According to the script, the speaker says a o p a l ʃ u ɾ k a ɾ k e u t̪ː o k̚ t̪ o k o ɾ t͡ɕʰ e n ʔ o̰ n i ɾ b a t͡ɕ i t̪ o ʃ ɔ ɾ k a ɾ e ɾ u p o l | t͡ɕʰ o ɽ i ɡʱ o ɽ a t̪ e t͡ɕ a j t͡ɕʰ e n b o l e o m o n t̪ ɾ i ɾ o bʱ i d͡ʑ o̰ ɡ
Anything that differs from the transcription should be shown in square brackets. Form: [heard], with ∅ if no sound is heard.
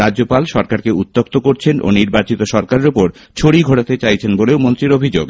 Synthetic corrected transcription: a o p a l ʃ [ɔ] ɾ k a ɾ k e u t̪ː o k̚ t̪ o k o ɾ t͡ɕʰ e n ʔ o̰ n i ɾ b a t͡ɕ i t̪ o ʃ ɔ ɾ k a ɾ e ɾ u p o [ɾ] | t͡ɕʰ o ɽ i ɡʱ o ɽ a t̪ e t͡ɕ a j t͡ɕʰ e n b o l e o m o n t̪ ɾ i ɾ o bʱ i d͡ʑ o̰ ɡ